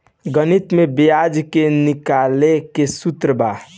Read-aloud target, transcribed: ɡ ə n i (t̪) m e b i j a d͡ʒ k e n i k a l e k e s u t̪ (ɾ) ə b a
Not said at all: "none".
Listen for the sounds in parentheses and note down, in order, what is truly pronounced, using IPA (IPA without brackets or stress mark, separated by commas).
t̪, ɾ